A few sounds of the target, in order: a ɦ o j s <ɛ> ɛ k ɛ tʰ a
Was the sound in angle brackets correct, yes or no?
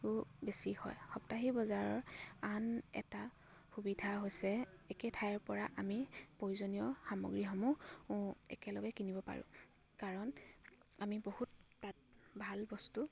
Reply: yes